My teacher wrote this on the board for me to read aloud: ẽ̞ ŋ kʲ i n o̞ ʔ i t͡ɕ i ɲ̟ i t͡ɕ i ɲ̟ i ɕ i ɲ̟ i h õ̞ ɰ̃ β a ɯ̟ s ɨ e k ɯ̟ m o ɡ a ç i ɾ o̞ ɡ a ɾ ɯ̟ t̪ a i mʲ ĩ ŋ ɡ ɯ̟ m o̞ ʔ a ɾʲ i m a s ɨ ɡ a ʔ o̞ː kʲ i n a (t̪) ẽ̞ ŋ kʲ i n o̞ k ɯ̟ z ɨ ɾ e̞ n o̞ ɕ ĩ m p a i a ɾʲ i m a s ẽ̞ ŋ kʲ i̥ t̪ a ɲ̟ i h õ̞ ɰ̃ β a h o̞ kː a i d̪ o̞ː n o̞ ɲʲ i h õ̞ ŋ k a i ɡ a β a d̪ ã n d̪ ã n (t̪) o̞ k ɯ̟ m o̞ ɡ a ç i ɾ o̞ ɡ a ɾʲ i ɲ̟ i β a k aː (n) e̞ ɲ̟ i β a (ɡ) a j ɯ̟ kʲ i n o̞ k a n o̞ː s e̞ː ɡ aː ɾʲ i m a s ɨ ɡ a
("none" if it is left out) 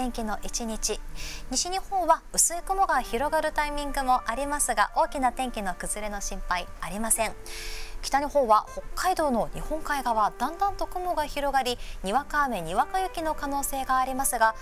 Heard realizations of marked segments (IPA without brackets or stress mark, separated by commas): t̪, t̪, m, k